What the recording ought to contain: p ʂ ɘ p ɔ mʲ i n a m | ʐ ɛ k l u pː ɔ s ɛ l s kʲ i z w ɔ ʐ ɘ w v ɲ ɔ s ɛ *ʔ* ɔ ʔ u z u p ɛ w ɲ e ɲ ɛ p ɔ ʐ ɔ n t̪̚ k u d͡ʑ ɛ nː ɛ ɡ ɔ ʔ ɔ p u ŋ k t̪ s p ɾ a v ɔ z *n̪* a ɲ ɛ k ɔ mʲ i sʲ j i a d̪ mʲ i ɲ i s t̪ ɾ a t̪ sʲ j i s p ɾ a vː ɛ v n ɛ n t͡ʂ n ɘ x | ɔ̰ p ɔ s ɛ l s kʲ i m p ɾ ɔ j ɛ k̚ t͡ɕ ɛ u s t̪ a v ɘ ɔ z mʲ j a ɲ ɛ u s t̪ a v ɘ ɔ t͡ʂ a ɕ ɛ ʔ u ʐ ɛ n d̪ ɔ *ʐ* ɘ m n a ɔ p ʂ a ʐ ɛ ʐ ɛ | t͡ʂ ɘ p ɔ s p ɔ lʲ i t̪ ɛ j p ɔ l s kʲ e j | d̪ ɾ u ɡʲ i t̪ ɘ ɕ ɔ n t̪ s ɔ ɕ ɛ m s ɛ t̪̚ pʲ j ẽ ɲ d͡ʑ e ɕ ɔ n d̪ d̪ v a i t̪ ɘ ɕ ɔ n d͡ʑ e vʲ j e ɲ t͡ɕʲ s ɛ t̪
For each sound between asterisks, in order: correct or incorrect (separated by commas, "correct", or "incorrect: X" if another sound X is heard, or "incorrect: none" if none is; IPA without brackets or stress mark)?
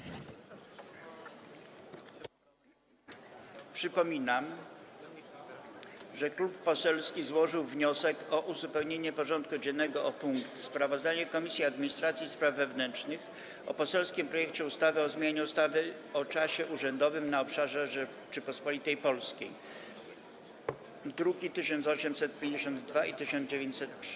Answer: incorrect: k, incorrect: d̪, incorrect: v